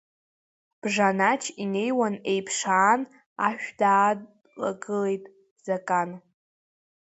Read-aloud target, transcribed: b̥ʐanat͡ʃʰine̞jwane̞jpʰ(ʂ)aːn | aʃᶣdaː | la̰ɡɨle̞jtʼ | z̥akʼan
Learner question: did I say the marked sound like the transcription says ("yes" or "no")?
yes